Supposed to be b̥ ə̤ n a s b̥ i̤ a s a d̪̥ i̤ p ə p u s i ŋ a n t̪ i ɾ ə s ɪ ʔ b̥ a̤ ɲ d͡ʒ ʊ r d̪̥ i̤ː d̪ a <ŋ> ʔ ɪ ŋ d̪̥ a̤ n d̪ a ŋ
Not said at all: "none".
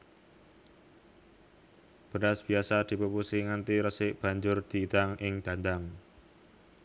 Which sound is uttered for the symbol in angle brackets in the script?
ŋ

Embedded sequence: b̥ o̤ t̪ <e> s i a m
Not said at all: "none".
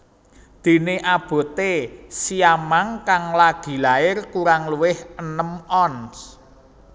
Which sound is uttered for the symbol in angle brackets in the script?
e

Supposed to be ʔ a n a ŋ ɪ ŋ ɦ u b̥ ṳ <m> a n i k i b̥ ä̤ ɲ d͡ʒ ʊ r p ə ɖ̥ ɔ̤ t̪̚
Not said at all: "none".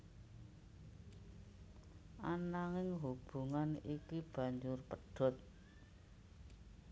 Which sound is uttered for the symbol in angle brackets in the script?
ŋ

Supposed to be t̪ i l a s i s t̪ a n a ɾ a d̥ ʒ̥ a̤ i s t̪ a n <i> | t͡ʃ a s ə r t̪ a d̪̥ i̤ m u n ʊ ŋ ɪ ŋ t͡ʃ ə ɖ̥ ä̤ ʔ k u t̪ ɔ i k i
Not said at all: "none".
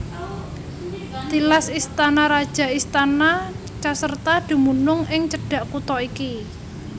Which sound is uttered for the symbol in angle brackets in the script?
a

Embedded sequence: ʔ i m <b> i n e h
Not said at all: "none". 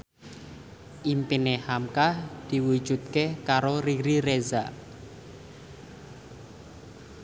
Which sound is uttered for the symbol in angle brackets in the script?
p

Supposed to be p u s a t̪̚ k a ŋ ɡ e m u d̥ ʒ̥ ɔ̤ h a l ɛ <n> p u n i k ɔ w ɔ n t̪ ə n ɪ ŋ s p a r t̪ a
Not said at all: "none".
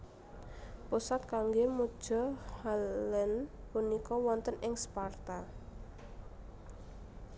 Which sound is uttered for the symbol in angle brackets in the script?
n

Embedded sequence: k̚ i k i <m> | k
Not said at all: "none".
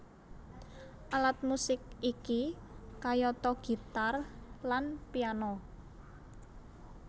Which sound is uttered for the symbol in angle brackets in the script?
none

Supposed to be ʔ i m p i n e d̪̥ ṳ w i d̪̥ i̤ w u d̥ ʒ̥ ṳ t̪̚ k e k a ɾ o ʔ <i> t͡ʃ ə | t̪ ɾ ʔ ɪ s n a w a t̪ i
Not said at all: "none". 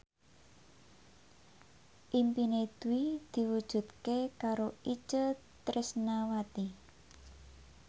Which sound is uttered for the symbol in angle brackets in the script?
i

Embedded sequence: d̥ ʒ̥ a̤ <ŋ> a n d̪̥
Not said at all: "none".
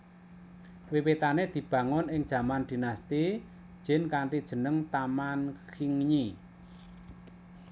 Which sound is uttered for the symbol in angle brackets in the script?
m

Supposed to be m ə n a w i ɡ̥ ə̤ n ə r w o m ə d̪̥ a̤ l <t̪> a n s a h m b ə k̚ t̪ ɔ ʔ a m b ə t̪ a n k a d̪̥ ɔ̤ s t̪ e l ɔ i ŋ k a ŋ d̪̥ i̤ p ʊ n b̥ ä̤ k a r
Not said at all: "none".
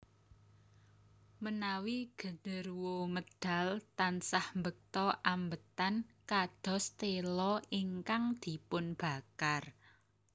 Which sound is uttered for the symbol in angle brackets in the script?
t̪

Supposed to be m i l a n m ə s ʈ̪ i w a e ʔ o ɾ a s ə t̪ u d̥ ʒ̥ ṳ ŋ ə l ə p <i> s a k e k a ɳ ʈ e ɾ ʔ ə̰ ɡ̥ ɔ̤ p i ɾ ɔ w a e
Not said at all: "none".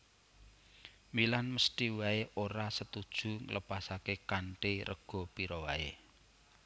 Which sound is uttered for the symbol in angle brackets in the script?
a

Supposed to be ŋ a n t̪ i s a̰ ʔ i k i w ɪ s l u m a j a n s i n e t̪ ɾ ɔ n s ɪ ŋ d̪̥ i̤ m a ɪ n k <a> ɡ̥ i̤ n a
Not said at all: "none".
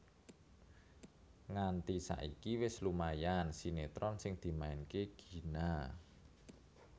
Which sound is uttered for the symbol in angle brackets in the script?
e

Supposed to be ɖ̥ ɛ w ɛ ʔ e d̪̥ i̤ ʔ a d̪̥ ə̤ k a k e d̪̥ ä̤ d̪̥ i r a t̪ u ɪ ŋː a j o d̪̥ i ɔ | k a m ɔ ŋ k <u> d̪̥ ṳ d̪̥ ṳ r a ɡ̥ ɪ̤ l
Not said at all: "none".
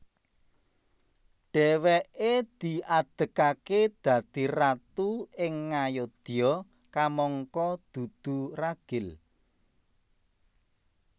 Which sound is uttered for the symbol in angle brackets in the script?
ɔ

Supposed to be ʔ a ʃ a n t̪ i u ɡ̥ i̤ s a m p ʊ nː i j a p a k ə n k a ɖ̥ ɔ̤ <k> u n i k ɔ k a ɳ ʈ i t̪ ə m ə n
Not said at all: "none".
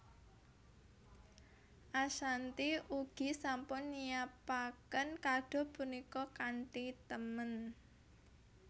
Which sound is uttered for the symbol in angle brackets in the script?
p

